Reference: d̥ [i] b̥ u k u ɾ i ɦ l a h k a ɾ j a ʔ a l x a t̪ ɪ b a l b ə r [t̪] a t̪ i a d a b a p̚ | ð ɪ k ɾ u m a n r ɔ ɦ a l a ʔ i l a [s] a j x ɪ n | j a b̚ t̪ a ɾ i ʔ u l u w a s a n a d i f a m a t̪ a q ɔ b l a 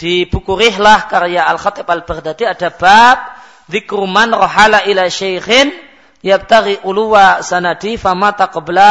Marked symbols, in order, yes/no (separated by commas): yes, no, no